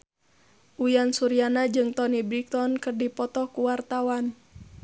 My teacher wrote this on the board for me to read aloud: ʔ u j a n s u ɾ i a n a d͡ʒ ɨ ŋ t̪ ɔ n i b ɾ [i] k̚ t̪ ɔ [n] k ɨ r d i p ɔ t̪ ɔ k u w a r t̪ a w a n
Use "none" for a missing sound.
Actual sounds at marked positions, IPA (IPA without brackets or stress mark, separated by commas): i, n